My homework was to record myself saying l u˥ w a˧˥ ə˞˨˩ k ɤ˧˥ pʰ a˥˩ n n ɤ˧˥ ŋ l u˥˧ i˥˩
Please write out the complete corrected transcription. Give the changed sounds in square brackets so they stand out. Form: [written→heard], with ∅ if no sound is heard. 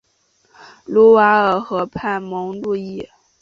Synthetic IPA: l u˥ w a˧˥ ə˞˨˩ [k→x] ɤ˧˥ pʰ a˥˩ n [n→m] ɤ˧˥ ŋ l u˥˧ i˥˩